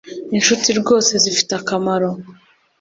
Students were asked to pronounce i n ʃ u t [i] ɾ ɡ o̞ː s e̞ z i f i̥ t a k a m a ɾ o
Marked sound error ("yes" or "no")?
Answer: no